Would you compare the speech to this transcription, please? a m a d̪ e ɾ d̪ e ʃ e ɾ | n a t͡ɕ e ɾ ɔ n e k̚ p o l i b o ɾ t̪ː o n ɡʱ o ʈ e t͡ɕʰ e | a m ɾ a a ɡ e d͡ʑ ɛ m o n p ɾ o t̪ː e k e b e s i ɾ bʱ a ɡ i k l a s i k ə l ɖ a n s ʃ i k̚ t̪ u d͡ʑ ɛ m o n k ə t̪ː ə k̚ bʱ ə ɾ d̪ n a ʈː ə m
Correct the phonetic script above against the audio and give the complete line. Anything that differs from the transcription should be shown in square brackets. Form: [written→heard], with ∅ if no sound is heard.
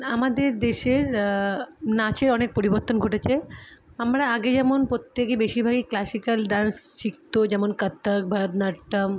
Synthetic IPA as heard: a m a d̪ e ɾ d̪ e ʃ e ɾ | n a t͡ɕ e ɾ ɔ n e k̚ p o [l→ɾ] i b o ɾ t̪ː o n ɡʱ o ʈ e t͡ɕʰ e | a m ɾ a a ɡ e d͡ʑ ɛ m o n p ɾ o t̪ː e k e b e [s→ʃ] i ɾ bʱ a ɡ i k l a s i k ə l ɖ a n s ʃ i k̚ t̪ [u→o] d͡ʑ ɛ m o n k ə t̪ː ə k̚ bʱ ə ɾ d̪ n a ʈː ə m